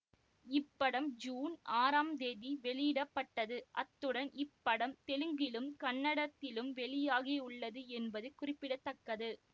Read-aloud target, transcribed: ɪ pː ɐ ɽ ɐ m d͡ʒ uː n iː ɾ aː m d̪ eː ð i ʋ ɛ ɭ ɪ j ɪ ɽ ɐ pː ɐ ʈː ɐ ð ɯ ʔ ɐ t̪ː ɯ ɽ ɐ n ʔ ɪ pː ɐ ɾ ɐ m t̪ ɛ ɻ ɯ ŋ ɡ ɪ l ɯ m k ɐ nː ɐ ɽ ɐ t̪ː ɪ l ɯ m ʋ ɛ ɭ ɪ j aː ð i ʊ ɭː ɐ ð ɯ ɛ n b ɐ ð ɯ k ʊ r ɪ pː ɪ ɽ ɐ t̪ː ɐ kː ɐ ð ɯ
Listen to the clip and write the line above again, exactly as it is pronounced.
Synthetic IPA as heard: ɪ pː ɐ ɽ ɐ m d͡ʒ uː n aː ɾ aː m d̪ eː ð i ʋ ɛ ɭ ɪ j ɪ ɽ ɐ pː ɐ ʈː ɐ ð ɯ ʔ ɐ t̪ː ɯ ɽ ɐ n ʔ ɪ pː ɐ ɽ ɐ m t̪ ɛ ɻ ɯ ŋ ɡ ɪ l ɯ m k ɐ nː ɐ ɽ ɐ t̪ː ɪ l ɯ m ʋ ɛ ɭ ɪ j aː ɣ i ʊ ɭː ɐ ð ɯ ɛ n b ɐ ð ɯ k ʊ r ɪ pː ɪ ɽ ɐ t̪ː ɐ kː ɐ ð ɯ